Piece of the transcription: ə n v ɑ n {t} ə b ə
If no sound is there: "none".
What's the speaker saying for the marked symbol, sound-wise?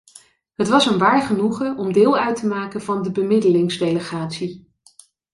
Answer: d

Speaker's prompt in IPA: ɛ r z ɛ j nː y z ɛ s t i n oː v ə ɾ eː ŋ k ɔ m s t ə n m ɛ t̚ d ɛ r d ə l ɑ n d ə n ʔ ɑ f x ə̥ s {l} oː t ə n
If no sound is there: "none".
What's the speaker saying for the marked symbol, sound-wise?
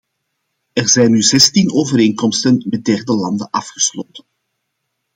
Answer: l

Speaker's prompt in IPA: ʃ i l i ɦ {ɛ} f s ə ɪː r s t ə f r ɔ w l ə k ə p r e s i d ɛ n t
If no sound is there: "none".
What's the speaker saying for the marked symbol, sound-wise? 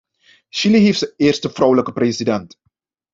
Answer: i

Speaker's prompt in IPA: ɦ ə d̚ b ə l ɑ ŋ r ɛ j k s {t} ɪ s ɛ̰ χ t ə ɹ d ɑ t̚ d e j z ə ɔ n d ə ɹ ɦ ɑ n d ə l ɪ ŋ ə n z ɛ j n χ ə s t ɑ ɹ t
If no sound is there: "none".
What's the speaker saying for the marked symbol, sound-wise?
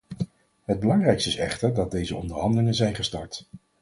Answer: t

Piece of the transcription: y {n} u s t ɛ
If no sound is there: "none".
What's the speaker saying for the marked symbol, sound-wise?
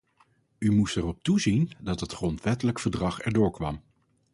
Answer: m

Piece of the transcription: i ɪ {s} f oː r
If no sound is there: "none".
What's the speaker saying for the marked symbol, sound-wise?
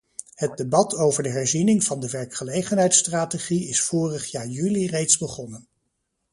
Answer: s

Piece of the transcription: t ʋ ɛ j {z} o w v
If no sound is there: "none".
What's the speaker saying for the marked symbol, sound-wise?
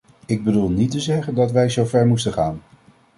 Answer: z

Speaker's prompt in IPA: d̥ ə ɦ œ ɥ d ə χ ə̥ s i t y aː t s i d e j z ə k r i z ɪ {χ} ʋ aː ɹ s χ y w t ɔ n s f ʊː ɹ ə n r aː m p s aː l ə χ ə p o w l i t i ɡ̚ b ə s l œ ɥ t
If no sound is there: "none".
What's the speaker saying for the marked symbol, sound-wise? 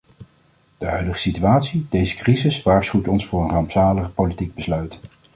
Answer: s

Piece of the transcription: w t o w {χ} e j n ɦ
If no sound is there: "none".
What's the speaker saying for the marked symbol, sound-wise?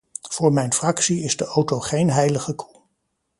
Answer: χ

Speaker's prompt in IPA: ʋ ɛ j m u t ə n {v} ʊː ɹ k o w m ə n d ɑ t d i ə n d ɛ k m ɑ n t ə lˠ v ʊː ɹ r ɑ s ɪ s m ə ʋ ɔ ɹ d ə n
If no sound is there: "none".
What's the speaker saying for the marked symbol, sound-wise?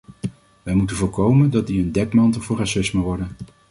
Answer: v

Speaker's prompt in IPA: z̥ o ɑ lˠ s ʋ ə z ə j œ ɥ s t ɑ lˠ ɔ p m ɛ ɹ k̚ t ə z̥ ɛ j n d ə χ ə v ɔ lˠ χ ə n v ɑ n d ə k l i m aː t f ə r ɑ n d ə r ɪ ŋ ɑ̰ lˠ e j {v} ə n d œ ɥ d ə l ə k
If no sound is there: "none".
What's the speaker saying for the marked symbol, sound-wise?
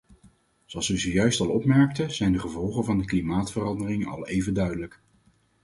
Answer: v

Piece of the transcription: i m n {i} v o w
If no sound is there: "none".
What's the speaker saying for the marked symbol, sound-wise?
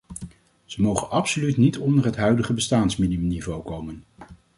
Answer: i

